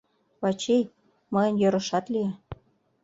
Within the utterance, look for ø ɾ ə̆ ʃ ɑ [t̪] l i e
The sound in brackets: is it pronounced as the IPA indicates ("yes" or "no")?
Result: yes